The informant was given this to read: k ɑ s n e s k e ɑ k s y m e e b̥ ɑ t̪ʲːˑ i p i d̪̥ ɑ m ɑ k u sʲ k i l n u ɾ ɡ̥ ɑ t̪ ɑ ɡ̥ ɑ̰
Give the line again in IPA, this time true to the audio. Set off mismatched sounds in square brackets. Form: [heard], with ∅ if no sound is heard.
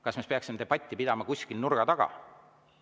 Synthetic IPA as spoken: k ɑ s [m] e s [p] e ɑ k s [i] m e e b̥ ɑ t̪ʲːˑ i p i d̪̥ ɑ m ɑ k u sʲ k i l n u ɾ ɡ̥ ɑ t̪ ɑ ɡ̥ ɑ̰